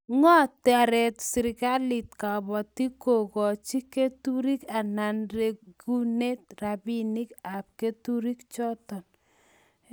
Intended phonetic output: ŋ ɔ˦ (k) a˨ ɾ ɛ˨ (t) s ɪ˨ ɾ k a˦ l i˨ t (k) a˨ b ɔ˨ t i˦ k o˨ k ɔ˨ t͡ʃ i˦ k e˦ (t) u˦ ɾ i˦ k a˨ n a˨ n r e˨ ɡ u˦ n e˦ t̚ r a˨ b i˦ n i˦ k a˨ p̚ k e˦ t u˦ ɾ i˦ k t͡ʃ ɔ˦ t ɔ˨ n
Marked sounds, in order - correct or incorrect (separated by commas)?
incorrect, correct, correct, correct